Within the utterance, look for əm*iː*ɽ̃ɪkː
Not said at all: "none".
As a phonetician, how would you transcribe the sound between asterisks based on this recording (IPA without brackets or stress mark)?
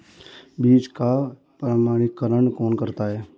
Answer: aː